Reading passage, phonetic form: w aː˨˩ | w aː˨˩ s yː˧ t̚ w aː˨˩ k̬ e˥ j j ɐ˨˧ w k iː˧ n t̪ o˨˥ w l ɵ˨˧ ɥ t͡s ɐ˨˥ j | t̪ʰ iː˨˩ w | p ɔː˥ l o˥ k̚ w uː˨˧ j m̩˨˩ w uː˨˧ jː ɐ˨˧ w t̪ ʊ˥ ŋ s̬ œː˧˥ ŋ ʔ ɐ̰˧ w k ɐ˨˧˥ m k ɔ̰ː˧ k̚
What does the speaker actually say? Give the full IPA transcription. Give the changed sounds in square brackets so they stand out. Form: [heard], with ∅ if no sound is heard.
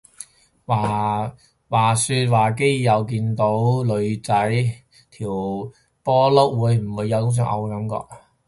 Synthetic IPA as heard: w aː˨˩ | w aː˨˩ s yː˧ t̚ w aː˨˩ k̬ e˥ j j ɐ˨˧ w k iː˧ n t̪ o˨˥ w l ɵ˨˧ ɥ t͡s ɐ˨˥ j | t̪ʰ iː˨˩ w | p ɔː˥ l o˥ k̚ w uː˨˧ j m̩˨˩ w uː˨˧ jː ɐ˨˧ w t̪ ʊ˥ ŋ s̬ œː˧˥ ŋ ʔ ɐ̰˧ w k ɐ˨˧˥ m k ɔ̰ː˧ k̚